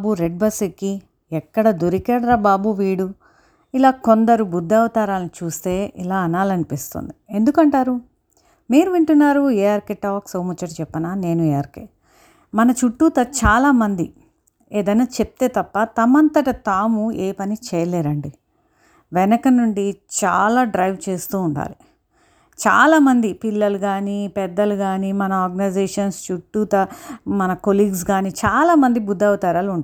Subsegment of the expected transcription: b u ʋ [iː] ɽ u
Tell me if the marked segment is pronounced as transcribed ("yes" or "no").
yes